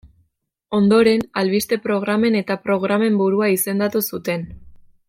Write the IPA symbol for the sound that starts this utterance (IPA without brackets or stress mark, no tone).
o̞